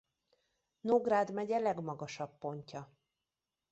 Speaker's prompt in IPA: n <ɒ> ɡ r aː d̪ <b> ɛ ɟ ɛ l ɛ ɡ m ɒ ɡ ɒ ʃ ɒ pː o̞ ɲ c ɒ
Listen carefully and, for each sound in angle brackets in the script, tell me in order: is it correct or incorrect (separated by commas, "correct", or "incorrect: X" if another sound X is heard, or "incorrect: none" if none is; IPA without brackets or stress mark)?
incorrect: o, incorrect: m